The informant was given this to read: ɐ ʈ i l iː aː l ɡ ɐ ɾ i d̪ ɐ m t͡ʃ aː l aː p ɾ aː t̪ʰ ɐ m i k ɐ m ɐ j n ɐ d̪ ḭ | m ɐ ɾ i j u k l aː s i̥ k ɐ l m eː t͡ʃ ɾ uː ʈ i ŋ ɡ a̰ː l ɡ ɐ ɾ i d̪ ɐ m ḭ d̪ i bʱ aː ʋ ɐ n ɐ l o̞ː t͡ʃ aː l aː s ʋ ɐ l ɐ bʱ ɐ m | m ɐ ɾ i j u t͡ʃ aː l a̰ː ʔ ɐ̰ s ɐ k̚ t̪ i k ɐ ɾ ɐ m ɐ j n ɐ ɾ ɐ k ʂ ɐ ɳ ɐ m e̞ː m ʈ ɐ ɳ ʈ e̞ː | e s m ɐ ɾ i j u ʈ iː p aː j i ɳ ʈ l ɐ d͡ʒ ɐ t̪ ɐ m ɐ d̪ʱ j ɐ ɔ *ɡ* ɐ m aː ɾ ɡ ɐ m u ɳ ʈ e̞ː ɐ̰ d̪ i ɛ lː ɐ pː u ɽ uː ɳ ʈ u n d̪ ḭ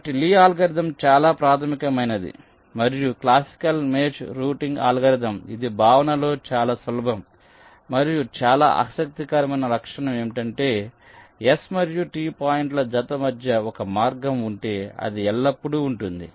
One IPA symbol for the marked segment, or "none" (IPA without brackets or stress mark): k